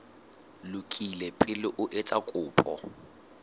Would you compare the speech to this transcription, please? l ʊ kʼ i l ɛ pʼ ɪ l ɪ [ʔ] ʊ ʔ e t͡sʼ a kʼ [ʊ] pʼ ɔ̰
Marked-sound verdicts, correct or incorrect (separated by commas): correct, incorrect